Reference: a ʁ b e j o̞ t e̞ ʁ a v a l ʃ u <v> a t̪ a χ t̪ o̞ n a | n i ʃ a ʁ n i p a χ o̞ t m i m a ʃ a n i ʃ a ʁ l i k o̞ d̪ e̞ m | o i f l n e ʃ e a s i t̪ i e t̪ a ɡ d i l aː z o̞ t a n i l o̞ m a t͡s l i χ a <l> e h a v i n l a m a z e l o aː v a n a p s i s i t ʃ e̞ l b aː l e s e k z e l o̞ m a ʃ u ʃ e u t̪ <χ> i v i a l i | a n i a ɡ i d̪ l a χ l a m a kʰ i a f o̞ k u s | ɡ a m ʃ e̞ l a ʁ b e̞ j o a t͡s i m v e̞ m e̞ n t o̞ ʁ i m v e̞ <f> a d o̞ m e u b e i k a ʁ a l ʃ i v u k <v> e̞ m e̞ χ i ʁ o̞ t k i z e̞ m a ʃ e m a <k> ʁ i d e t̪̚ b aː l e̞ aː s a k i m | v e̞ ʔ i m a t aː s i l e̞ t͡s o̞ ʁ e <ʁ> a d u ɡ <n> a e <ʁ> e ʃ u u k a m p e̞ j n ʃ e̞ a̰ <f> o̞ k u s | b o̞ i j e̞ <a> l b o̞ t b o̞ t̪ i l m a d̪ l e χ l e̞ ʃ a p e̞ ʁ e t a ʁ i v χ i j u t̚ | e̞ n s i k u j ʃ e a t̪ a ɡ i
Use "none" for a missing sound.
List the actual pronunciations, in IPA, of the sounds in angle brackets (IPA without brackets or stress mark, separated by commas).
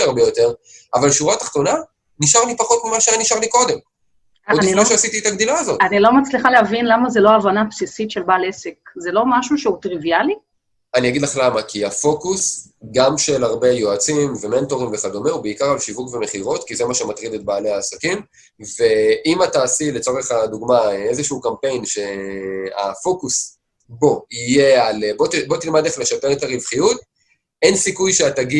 ʁ, l, ʁ, χ, v, t, χ, m, z, f, a